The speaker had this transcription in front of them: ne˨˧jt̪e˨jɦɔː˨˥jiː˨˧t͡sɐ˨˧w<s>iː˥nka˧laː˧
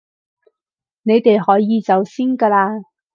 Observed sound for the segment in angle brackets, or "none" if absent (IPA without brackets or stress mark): s